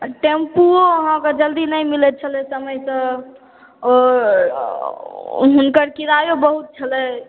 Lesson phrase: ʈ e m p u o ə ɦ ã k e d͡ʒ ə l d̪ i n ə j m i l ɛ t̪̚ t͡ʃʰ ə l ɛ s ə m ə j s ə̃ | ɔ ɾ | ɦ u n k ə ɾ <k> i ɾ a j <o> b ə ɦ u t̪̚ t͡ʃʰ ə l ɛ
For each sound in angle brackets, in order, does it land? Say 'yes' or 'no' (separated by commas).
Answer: yes, yes